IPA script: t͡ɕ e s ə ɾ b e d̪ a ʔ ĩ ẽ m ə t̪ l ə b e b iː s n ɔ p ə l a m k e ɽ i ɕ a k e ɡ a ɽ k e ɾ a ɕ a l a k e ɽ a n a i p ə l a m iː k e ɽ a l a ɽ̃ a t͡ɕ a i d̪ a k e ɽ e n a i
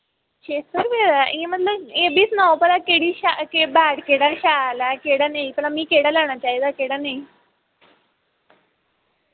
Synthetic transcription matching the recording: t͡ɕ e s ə ɾ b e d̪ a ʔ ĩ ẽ m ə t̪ l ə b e b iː s n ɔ p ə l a k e ɽ i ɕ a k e b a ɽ k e ɽ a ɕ a l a k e ɽ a n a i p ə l a m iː k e ɽ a l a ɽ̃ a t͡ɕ a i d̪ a k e ɽ a n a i